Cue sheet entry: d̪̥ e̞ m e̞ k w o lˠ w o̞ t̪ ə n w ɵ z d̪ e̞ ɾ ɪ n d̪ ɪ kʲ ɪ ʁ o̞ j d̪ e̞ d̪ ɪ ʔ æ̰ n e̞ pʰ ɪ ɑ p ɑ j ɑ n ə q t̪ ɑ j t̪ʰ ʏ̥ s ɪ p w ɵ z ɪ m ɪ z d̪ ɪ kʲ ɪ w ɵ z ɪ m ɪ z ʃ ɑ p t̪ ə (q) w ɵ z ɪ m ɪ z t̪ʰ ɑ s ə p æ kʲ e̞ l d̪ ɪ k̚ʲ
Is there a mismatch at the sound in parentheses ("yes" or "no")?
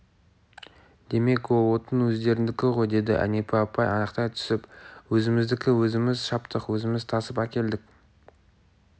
no